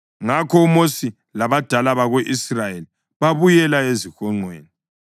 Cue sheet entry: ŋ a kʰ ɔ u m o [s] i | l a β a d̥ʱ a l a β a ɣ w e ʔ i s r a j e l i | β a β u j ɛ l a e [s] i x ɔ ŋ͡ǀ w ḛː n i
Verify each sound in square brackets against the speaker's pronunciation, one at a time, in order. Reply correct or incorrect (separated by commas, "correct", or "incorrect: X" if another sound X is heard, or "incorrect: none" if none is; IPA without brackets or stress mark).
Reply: correct, incorrect: z